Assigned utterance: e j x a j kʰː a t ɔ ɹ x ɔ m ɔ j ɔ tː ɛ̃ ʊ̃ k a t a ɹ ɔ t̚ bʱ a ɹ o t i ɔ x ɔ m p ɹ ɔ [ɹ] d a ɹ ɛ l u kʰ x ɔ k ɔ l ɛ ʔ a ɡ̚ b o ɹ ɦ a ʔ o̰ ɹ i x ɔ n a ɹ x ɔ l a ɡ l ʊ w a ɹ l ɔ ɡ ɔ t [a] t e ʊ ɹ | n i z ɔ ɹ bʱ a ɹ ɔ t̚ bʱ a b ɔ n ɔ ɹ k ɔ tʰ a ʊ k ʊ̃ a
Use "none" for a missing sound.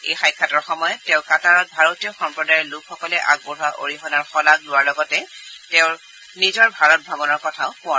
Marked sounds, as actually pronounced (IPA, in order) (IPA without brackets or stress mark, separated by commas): none, ɛ